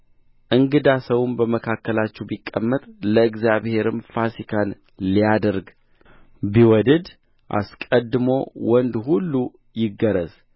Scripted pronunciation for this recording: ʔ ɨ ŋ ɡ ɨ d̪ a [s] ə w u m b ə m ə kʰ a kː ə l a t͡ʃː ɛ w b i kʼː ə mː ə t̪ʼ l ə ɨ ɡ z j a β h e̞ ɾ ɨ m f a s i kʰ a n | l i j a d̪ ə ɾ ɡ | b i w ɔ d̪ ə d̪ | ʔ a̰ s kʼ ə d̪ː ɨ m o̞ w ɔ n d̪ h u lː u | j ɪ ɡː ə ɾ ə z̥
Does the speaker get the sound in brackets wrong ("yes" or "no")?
no